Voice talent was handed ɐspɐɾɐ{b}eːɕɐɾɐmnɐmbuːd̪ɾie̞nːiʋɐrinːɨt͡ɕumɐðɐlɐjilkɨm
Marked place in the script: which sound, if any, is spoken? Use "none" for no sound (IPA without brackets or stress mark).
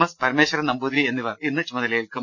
m